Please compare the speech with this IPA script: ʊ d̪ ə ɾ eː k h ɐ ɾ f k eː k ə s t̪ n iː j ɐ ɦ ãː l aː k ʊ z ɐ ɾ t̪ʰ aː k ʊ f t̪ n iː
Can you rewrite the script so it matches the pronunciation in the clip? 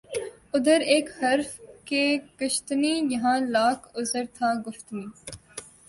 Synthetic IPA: ʊ d̪ ə ɾ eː k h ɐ ɾ f k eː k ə ʃ t̪ n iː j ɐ ɦ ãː l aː k ʊ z ə ɾ t̪ʰ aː ɡ ʊ f t̪ n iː